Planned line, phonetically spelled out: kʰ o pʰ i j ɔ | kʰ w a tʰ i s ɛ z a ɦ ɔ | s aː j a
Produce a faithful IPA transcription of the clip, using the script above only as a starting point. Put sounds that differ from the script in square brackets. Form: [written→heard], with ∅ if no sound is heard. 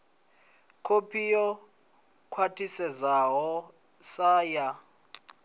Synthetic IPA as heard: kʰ o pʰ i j ɔ | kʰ w a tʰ i s ɛ z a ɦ ɔ | s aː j a

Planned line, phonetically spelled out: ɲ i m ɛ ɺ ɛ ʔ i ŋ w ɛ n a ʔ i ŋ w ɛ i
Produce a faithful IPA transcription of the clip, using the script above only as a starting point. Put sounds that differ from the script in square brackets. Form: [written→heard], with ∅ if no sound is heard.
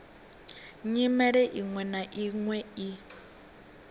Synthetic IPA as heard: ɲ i m ɛ ɺ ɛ ʔ i ŋ w ɛ n a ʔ i ŋ w ɛ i

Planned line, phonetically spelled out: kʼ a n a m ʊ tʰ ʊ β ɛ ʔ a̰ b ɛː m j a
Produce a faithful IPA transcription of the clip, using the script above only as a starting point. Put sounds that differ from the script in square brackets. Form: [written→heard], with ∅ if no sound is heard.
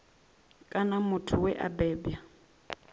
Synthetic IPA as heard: kʼ a n a m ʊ tʰ ʊ [β→w] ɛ ʔ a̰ b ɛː [m→b] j a

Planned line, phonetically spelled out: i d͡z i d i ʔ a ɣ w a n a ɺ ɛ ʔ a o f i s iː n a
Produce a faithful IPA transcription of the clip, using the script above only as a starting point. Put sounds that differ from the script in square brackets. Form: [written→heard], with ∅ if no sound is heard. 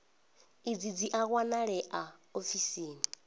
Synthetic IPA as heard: i d͡z i [d→d͡z] i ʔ a ɣ w a n a ɺ ɛ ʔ a o f i s iː n [a→i]

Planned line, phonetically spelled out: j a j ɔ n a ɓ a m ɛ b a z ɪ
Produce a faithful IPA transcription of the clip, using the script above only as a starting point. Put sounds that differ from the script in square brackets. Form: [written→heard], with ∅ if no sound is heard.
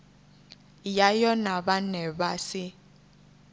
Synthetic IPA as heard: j a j ɔ n a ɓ a [m→n] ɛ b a [z→s] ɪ

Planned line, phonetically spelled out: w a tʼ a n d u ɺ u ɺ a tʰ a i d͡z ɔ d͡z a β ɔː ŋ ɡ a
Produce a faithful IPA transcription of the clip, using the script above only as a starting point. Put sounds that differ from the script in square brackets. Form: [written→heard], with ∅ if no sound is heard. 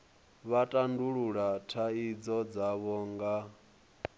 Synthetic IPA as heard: [w→β] a tʼ a n d u ɺ u ɺ a tʰ a i d͡z ɔ d͡z a β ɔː ŋ ɡ a

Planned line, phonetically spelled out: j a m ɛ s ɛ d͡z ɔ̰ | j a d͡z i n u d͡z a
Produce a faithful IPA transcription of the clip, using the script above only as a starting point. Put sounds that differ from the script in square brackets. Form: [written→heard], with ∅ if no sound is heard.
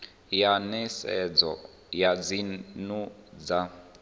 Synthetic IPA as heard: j a [m→n] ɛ s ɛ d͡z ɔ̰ | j a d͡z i n u d͡z a

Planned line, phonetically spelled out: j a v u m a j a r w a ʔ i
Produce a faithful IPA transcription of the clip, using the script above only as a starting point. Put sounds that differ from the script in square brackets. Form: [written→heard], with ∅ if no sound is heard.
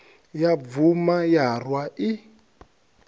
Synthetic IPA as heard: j a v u m a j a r w a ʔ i

